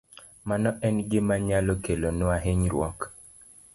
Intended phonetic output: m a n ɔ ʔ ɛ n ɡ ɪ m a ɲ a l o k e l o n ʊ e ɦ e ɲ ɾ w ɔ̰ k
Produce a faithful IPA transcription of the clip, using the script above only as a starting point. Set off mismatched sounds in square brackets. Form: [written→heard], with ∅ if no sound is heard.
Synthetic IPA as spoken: m a n ɔ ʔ ɛ n ɡ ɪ m a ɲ a l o k e l o n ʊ [e→a] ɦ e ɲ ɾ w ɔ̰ k